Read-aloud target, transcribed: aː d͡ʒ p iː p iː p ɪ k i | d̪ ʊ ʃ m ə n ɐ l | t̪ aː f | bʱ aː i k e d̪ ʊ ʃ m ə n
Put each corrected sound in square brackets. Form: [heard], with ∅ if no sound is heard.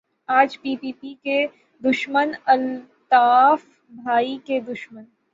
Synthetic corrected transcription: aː d͡ʒ p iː p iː p [i] k [e] | d̪ ʊ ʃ m ə n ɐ l | t̪ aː f | bʱ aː i k e d̪ ʊ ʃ m ə n